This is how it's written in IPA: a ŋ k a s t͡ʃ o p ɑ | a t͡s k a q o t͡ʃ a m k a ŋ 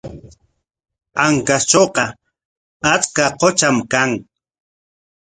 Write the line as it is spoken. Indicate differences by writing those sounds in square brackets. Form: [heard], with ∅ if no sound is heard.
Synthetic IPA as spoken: a ŋ k a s t͡ʃ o [q] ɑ | a t͡s k a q o t͡ʃ a m k a ŋ